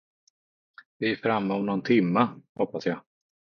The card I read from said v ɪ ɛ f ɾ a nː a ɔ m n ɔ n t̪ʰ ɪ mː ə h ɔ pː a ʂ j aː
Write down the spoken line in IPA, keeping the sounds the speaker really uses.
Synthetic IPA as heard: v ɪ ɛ f ɾ a mː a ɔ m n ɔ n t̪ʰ ɪ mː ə h ɔ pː a s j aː